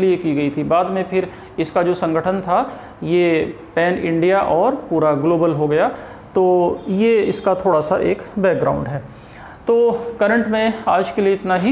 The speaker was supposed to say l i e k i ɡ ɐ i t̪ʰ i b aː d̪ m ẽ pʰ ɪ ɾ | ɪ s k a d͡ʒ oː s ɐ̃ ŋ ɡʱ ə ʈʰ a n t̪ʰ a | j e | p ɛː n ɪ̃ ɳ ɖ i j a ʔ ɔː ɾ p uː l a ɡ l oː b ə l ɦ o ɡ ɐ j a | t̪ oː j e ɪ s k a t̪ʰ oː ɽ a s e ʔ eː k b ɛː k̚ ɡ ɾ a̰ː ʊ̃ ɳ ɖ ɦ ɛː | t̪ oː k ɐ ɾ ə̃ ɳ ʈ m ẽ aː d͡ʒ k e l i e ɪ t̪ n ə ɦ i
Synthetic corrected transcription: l i e k i ɡ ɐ i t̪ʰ i b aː d̪ m ẽ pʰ ɪ ɾ | ɪ s k a d͡ʒ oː s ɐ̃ ŋ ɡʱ ə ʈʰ ə n t̪ʰ a | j e | p ɛː n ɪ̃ ɳ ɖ i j a ʔ ɔː ɾ p uː ɾ a ɡ l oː b ə l ɦ o ɡ ɐ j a | t̪ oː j e ɪ s k a t̪ʰ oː ɽ a s a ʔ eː k b ɛː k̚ ɡ ɾ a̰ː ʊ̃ ɳ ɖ ɦ ɛː | t̪ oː k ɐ ɾ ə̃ ɳ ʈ m ẽ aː d͡ʒ k e l i e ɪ t̪ n a ɦ i

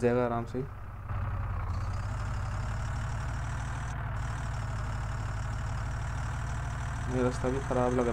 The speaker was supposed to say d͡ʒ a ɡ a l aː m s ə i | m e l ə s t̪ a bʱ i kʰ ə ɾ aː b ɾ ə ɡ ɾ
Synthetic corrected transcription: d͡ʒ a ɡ a ɾ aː m s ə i | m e ɾ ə s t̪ a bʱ i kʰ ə ɾ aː b l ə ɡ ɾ

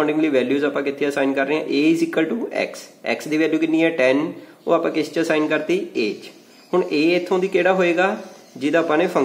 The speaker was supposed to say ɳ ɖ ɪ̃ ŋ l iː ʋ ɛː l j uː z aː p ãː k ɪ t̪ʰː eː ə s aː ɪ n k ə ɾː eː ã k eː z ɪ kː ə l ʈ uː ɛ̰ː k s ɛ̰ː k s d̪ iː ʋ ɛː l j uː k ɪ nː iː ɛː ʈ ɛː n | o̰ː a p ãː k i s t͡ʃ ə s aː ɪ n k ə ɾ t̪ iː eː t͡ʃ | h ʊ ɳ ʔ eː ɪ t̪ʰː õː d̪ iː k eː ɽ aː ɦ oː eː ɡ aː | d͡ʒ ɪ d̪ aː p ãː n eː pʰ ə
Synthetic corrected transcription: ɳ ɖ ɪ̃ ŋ l iː ʋ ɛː l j uː z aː p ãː k ɪ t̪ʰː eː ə s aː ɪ n k ə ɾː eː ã ʔ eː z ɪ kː ə l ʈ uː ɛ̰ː k s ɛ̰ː k s d̪ iː ʋ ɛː l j uː k ɪ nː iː ɛː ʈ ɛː n | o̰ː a p ãː k ɪ s t͡ʃ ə s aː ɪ n k ə ɾ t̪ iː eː t͡ʃ | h ʊ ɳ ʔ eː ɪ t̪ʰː õː d̪ iː k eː ɽ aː ɦ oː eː ɡ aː | d͡ʒ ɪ d̪ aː p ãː n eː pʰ ə

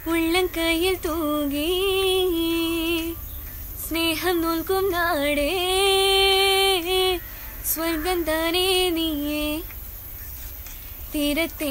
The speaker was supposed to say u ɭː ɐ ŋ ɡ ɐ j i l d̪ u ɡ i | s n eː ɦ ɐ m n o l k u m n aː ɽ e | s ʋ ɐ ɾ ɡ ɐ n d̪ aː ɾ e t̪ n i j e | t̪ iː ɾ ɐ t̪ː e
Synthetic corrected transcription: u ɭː ɐ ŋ k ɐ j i l t̪ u ɡ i | s n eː ɦ ɐ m n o l k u m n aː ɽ e | s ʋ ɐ ɾ ɡ ɐ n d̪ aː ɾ e n i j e | t̪ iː ɾ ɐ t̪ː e

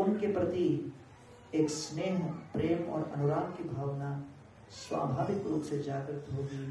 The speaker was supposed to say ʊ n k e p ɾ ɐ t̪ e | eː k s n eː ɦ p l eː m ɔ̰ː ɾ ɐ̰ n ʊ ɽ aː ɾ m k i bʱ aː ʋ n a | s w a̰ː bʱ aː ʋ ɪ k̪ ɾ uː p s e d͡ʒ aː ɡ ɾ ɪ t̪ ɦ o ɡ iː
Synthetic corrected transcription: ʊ n k e p ɾ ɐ t̪ i | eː k s n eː ɦ p ɾ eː m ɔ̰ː ɾ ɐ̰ n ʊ ɾ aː m k i bʱ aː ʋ n a | s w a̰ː bʱ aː ʋ ɪ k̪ ɾ uː p s e d͡ʒ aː ɡ ɾ ɪ t̪ ɦ o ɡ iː

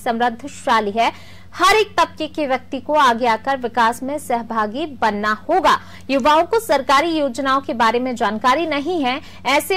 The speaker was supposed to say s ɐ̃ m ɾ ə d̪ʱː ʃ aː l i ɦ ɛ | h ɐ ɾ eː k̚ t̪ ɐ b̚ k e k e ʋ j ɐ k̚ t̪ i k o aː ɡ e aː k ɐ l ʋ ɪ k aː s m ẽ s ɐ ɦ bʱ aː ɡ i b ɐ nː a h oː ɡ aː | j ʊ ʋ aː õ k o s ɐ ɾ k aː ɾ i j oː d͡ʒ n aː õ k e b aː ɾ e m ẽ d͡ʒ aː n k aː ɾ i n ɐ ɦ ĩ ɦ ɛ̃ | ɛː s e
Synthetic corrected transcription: s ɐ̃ m ɾ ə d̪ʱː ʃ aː l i ɦ ɛ | h ɐ ɾ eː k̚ t̪ ɐ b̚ k e k e ʋ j ɐ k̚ t̪ i k o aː ɡ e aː k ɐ ɾ ʋ ɪ k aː s m ẽ s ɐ ɦ bʱ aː ɡ i b ɐ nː a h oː ɡ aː | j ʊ ʋ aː õ k o s ɐ ɾ k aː ɾ i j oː d͡ʒ n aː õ k e b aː ɾ e m ẽ d͡ʒ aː n k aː ɾ i n ɐ ɦ ĩ ɦ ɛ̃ | ɛː s e

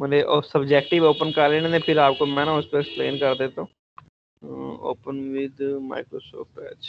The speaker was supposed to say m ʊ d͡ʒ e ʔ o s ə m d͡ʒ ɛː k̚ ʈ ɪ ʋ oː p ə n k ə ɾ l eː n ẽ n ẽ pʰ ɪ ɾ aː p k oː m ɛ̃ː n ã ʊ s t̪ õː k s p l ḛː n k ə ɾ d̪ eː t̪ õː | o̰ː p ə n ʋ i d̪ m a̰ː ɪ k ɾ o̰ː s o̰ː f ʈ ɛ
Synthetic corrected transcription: m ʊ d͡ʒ e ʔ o s ə b d͡ʒ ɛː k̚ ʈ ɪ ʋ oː p ə n k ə ɾ l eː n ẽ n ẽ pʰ ɪ ɾ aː p k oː m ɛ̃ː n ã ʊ s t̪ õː k s p l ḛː n k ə ɾ d̪ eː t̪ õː | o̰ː p ə n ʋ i d̪ m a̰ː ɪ k ɾ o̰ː s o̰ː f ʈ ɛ

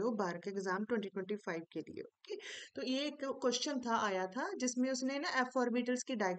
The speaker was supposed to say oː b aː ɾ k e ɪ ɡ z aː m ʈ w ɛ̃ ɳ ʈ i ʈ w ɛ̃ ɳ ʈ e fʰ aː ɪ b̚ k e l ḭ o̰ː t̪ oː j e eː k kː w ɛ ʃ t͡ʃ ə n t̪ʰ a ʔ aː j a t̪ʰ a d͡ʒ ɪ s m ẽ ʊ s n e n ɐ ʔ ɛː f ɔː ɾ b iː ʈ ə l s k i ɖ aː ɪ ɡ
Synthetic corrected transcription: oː b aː ɾ k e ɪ ɡ z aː m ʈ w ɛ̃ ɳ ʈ i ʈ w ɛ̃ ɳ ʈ i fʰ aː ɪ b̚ k e l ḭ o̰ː t̪ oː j e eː k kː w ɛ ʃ t͡ʃ ə n t̪ʰ a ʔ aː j a t̪ʰ a d͡ʒ ɪ s m ẽ ʊ s n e n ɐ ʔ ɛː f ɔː ɾ b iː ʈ ə l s k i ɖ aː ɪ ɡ

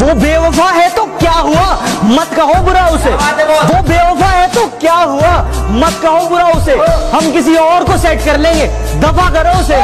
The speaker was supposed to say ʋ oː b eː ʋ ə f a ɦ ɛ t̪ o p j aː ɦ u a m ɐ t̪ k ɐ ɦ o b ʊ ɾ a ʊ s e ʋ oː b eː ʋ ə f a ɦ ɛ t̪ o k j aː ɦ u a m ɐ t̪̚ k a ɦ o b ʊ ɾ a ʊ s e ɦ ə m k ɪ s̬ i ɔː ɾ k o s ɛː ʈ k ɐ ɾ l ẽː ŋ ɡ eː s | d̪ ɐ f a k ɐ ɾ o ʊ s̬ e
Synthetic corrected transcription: ʋ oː b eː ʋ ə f a ɦ ɛ t̪ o k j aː ɦ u a m ɐ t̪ k ɐ ɦ o b ʊ ɾ a ʊ s e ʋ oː b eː ʋ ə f a ɦ ɛ t̪ o k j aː ɦ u a m ɐ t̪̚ k ɐ ɦ o b ʊ ɾ a ʊ s e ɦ ɐ m k ɪ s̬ i ɔː ɾ k o s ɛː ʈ k ɐ ɾ l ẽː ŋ ɡ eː | d̪ ɐ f a k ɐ ɾ o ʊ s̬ e

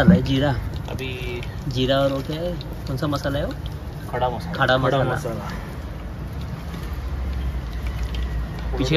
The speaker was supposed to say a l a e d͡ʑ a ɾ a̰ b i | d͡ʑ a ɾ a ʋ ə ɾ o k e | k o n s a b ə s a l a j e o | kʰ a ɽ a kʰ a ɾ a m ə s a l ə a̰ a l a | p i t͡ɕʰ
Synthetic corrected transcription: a l a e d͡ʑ i ɾ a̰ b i | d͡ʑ i ɾ a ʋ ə ɾ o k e | k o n s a m ə s a l a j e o | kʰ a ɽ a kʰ a ɽ a m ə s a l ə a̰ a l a | p i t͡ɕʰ

